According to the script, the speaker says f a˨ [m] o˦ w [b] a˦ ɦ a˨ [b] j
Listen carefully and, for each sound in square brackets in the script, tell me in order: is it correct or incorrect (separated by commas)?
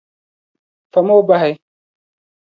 correct, correct, incorrect